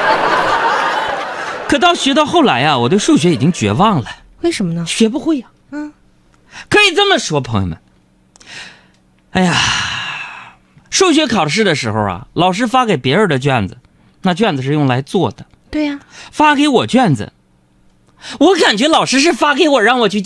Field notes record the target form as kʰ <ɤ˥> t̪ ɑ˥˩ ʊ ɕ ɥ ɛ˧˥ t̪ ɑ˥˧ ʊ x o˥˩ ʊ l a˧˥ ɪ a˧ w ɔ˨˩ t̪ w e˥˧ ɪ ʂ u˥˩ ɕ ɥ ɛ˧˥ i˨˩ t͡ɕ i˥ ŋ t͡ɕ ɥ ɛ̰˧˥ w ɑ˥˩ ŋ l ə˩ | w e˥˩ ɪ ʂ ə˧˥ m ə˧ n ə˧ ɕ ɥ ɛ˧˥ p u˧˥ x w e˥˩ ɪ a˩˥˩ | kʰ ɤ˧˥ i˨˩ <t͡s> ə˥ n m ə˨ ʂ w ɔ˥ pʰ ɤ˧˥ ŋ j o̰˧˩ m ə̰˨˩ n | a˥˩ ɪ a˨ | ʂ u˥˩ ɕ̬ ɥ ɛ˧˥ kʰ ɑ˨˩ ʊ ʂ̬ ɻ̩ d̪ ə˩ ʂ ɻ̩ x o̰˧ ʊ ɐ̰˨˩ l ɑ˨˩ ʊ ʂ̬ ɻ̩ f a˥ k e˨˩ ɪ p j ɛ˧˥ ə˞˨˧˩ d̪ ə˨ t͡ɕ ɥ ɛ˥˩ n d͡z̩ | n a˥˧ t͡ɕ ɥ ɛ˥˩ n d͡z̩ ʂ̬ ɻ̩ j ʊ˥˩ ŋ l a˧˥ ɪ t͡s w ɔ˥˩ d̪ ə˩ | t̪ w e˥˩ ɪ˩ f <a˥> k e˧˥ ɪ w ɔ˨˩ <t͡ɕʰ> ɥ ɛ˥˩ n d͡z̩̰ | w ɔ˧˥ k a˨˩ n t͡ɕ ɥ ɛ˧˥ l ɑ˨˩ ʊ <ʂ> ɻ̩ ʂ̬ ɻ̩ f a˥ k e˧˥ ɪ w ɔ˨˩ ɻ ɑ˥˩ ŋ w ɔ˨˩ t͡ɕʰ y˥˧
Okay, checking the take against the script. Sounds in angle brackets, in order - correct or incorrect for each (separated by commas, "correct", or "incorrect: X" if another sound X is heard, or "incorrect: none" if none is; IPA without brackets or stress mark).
incorrect: ɤ˨˩, correct, correct, incorrect: t͡ɕ, correct